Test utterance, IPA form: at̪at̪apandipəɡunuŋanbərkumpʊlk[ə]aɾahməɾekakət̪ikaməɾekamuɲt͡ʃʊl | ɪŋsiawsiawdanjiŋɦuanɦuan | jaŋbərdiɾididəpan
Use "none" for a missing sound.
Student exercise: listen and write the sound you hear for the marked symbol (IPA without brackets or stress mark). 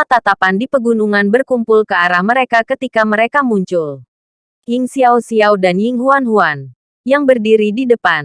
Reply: ə